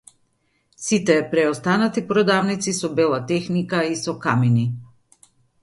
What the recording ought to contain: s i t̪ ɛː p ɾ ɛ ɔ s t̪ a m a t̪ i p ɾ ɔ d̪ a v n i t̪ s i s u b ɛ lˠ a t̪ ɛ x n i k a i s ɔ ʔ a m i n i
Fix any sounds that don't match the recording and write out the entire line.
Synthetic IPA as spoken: s i t̪ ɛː p ɾ ɛ ɔ s t̪ a n a t̪ i p ɾ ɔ d̪ a v n i t̪ s i s ɔ b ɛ lˠ a t̪ ɛ x n i k a i s ɔ k a m i n i